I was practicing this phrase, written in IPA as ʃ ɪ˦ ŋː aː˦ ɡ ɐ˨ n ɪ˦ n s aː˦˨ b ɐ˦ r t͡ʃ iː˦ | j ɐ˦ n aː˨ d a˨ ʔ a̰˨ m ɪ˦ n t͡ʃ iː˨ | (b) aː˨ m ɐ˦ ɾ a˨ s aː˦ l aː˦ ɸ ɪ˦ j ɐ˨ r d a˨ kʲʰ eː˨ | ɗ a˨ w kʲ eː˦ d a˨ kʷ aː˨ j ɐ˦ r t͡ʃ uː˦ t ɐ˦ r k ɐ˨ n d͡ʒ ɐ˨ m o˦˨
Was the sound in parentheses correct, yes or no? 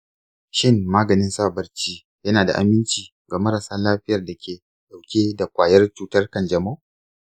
no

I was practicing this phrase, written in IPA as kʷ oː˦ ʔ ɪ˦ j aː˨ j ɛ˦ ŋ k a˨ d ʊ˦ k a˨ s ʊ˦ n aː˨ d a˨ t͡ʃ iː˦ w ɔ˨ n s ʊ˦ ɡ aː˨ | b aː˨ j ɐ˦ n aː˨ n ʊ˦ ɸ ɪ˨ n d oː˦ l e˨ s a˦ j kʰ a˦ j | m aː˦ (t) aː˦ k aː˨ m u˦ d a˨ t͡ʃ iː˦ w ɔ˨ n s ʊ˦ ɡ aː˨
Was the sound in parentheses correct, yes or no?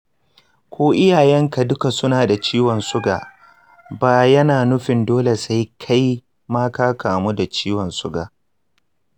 no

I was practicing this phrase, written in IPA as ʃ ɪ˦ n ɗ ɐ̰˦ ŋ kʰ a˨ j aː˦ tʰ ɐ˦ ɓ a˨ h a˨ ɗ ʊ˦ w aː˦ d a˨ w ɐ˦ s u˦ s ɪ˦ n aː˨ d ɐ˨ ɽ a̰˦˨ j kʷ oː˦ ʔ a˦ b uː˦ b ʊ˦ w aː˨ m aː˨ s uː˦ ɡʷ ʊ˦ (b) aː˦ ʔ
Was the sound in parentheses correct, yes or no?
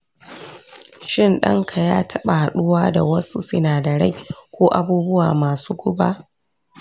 yes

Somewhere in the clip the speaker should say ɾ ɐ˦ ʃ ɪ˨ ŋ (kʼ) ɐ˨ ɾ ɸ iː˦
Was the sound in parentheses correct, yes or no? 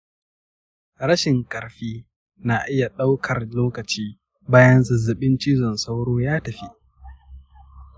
yes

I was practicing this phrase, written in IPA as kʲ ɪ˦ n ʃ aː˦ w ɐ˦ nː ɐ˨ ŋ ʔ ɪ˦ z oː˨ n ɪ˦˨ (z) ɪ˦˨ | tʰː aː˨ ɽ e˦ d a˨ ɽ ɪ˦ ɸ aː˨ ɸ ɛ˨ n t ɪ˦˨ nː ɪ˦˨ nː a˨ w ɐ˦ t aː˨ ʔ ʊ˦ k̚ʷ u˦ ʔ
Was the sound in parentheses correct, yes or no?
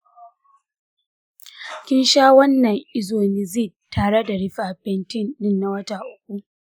yes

